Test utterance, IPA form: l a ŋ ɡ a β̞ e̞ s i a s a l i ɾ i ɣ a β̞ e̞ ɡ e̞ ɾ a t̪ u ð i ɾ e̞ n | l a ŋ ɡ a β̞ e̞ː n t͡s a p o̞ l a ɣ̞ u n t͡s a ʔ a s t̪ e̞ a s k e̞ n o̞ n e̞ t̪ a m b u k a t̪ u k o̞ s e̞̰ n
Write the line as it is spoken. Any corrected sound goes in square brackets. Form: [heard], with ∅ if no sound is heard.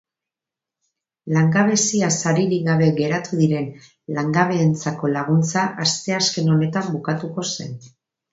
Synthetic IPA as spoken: l a ŋ ɡ a β̞ e̞ s i a s a [ɾ] i ɾ i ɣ a β̞ e̞ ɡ e̞ ɾ a t̪ u ð i ɾ e̞ n | l a ŋ ɡ a β̞ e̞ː n t͡s a [k] o̞ l a ɣ̞ u n t͡s a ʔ a s t̪ e̞ a s k e̞ n o̞ n e̞ t̪ a m b u k a t̪ u k o̞ s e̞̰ n